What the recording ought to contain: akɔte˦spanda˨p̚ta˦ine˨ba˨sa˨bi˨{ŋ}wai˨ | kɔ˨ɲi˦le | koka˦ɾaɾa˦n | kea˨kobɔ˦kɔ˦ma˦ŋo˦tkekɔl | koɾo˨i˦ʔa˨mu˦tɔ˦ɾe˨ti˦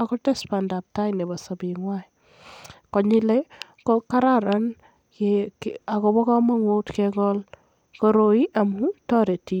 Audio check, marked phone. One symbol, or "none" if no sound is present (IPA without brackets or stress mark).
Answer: ŋ